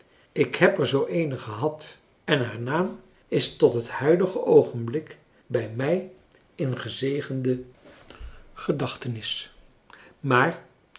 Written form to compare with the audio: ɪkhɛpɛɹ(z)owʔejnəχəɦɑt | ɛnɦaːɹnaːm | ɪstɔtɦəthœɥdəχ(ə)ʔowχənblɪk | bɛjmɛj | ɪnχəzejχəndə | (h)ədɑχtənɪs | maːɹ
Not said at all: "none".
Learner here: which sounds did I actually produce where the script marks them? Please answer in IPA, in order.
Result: z, ə, χ

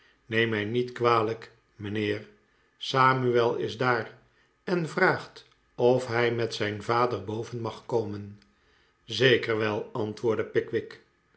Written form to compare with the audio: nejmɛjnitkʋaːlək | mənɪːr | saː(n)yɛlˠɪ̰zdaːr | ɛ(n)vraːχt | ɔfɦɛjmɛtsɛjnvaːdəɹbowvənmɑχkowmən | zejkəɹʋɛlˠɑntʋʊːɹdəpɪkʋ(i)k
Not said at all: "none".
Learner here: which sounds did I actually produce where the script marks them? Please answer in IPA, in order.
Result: m, n, ɪ

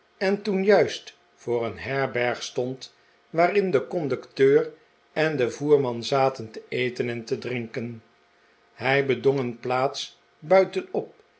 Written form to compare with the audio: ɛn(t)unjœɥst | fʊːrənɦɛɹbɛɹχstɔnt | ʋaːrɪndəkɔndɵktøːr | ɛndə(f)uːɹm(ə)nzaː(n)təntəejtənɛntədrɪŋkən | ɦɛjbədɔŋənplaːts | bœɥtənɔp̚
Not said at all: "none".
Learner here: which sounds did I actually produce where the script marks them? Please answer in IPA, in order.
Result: t, v, ɑ, none

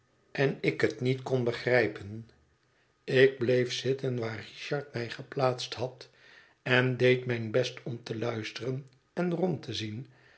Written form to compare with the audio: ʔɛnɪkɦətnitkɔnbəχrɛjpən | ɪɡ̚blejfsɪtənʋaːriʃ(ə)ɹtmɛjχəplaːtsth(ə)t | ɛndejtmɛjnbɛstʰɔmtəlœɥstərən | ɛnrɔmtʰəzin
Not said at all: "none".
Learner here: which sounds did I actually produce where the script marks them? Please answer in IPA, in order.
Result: ɑ, ɑ

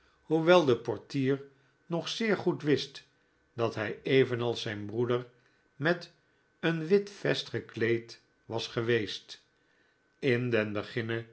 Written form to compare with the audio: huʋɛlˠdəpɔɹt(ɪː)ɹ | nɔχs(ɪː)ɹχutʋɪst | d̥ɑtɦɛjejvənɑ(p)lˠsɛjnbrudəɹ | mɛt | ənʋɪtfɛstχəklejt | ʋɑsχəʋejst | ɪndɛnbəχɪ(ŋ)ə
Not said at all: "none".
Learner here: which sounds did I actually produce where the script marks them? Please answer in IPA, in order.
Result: iː, ɪː, none, n

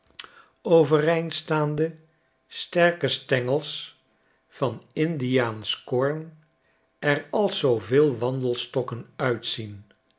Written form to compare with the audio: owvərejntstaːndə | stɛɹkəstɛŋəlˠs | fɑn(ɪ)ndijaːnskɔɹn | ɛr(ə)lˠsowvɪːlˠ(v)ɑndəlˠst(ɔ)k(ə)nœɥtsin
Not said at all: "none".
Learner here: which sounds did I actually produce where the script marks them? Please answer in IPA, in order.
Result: ɪ, ɑ, ʋ, ɔ, ə

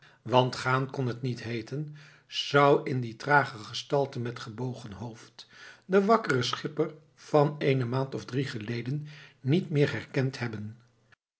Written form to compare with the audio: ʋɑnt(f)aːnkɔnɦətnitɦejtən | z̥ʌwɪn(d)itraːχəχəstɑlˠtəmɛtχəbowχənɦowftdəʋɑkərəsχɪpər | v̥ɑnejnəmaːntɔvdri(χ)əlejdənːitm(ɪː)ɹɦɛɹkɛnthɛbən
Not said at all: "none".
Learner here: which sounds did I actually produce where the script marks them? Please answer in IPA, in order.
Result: χ, d, χ, ɪː

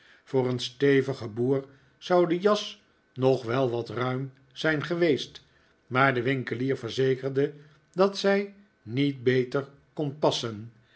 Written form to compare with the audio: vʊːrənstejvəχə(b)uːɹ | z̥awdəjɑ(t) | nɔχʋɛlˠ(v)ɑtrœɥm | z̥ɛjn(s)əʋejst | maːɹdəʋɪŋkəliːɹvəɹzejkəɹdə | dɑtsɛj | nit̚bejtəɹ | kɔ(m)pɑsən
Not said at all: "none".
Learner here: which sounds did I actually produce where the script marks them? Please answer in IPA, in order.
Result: b, s, ʋ, χ, n

